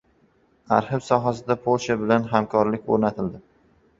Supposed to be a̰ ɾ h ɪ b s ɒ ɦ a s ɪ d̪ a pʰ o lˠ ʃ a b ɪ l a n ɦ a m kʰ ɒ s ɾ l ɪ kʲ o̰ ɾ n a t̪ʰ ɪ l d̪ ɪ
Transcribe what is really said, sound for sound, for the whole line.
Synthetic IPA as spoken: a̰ ɾ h ɪ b s ɒ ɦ a s ɪ d̪ a pʰ o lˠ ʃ a b ɪ l a n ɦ a m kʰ ɒ ɾ l ɪ kʲ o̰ ɾ n a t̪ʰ ɪ l d̪ ɪ